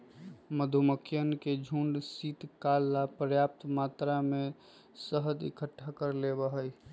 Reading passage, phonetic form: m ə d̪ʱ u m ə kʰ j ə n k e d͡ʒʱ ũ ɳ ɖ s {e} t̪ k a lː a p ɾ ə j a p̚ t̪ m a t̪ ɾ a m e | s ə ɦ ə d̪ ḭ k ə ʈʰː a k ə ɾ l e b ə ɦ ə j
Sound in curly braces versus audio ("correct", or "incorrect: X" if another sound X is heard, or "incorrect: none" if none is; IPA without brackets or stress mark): incorrect: i